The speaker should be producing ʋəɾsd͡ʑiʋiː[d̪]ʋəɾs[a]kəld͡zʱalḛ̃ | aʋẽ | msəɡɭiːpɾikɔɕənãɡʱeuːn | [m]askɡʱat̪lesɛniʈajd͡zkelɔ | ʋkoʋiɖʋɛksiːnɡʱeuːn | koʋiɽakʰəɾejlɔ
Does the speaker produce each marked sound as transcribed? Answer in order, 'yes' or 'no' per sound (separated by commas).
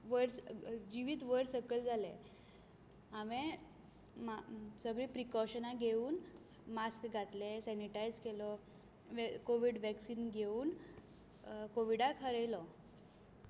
no, no, yes